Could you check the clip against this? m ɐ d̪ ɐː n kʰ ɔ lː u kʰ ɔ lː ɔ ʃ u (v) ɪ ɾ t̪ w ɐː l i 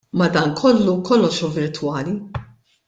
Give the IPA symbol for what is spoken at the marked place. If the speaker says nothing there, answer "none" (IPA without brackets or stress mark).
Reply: v